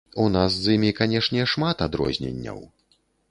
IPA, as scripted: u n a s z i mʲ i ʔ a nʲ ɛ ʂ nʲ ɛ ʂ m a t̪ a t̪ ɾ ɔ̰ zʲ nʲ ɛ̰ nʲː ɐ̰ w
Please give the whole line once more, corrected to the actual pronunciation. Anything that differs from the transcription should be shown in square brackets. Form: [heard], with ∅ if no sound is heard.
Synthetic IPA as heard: u n a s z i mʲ i [k] a nʲ ɛ ʂ nʲ ɛ ʂ m a t̪ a [d̪] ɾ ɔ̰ zʲ nʲ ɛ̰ nʲː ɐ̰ w